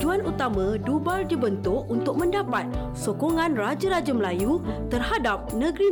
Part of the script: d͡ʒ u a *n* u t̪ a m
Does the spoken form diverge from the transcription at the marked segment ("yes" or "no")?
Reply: no